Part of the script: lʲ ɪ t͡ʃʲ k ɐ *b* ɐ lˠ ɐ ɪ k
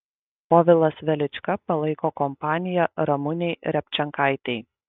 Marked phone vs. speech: incorrect: p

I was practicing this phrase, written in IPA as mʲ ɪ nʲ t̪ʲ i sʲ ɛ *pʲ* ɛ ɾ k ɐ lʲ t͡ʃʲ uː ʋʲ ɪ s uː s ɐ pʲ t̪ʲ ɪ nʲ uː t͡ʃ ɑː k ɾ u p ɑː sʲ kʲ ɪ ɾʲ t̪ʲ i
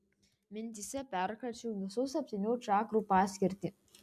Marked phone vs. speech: correct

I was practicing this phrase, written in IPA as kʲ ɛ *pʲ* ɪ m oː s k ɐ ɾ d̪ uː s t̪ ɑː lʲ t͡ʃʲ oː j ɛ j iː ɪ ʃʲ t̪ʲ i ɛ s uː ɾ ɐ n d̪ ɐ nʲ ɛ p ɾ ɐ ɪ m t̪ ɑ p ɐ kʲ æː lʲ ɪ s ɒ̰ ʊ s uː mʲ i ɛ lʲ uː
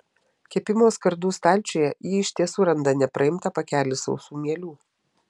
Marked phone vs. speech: correct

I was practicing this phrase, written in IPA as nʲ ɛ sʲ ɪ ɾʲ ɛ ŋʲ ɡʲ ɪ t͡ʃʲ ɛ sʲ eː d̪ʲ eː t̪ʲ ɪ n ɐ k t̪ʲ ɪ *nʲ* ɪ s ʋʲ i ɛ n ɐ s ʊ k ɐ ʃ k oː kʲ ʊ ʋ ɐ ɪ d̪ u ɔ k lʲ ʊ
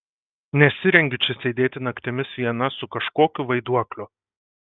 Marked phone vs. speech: incorrect: mʲ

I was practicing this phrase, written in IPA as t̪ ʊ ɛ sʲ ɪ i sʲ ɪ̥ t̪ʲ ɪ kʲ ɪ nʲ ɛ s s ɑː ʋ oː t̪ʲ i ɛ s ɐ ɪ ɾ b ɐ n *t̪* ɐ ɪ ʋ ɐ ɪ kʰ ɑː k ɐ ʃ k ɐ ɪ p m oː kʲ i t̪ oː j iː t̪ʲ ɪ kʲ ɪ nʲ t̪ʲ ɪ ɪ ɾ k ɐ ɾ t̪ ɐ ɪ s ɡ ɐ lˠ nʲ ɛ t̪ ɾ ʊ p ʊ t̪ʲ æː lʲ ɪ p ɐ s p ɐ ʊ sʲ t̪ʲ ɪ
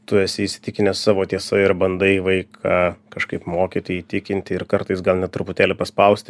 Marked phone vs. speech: incorrect: d̪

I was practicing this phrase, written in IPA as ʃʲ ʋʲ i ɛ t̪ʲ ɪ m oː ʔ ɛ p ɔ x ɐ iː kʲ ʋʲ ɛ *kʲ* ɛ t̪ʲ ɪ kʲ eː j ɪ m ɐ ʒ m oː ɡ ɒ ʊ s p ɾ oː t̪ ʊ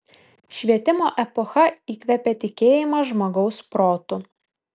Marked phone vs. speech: incorrect: pʲ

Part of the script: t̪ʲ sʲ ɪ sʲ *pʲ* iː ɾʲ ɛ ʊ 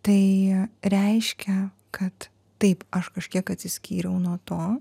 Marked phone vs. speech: incorrect: kʲ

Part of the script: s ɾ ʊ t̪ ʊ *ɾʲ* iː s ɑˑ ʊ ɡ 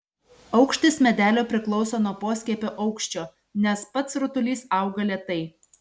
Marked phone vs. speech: incorrect: lʲ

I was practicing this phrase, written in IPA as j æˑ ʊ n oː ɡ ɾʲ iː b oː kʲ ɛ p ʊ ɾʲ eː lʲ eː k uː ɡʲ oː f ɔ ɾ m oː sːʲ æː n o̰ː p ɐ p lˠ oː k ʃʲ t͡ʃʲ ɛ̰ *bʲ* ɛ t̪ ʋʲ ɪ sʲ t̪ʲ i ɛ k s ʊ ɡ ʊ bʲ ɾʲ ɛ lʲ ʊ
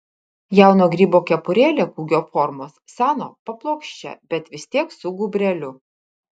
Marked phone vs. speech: correct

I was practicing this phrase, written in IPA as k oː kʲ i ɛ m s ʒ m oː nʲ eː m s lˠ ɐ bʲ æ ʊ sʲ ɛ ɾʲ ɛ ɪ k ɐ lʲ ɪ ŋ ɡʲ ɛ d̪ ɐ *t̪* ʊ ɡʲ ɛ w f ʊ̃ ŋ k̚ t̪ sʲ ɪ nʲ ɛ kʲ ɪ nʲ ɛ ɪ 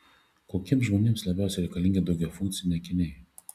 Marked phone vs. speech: incorrect: none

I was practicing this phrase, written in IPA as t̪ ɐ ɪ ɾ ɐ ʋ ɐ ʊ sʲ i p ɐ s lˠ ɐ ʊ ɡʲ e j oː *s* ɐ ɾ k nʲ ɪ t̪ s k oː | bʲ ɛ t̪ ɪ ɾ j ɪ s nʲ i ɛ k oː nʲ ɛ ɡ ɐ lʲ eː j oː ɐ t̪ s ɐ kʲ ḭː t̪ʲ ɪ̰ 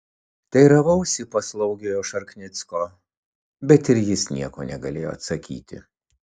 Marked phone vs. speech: incorrect: ʃ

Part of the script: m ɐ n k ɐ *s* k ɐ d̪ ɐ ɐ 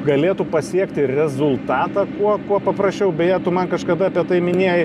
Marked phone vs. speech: incorrect: ʃ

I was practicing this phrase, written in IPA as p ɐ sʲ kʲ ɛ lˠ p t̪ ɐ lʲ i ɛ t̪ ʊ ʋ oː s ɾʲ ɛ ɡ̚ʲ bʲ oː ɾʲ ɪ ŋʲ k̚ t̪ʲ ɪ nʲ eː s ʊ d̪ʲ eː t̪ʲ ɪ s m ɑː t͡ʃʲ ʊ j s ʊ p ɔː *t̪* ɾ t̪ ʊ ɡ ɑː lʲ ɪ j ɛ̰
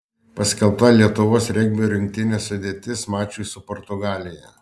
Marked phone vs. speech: incorrect: none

